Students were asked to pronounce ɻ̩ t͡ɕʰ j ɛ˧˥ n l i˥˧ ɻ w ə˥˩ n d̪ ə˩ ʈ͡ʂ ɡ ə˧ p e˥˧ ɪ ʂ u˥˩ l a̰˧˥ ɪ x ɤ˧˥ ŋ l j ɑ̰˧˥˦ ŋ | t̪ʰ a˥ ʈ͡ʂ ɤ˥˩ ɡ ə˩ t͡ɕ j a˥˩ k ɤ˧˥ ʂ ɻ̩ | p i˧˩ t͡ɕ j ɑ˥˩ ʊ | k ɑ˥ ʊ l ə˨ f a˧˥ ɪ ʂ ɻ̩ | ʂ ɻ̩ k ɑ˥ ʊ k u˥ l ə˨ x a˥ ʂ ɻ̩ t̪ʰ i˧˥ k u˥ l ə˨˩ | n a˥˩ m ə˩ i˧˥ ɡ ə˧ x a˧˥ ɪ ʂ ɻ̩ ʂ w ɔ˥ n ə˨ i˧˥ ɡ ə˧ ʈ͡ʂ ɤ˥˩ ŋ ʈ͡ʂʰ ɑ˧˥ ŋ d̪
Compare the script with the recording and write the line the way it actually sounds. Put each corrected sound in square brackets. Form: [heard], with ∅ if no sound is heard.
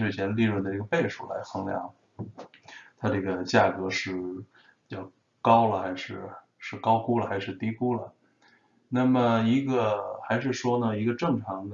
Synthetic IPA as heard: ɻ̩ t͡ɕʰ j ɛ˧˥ n l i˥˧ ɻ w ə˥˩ n d̪ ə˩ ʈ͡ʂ ɡ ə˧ p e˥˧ ɪ ʂ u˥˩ l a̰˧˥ ɪ x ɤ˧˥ ŋ l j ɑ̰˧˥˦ ŋ | t̪ʰ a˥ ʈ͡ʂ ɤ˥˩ ɡ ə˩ t͡ɕ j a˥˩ k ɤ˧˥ ʂ ɻ̩ | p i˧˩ t͡ɕ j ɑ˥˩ ʊ | k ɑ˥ ʊ l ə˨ [x] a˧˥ ɪ ʂ ɻ̩ | ʂ ɻ̩ k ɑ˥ ʊ k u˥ l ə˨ x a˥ ʂ ɻ̩ [t̪] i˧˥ k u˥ l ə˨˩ | n a˥˩ m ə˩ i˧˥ ɡ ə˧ x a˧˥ ɪ ʂ ɻ̩ ʂ w ɔ˥ n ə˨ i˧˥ ɡ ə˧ ʈ͡ʂ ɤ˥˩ ŋ ʈ͡ʂʰ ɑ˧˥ ŋ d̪